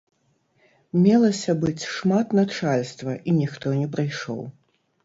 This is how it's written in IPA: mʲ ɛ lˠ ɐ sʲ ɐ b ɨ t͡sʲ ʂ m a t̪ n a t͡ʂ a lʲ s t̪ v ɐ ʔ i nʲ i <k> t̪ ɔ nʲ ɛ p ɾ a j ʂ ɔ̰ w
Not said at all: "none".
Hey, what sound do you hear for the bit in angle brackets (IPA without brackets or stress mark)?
x